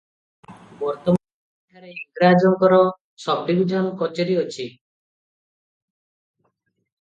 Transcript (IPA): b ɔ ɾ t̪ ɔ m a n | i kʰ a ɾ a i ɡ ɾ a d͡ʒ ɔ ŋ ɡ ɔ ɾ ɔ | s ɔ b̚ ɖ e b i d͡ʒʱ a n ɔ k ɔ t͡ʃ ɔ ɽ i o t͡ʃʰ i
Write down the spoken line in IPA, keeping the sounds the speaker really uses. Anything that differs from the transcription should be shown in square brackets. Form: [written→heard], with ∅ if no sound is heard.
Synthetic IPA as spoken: b ɔ ɾ t̪ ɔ m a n | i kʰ a ɾ [a→e] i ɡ ɾ a d͡ʒ ɔ ŋ [ɡ→k] ɔ ɾ ɔ | s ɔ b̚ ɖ [e→i] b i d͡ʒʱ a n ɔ k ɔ t͡ʃ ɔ [ɽ→ɾ] i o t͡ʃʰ i